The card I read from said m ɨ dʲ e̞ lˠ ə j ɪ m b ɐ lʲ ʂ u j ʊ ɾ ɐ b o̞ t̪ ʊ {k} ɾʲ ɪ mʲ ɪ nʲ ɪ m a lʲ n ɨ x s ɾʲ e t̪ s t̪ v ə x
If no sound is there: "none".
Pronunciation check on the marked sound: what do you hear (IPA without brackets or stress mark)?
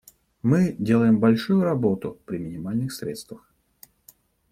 p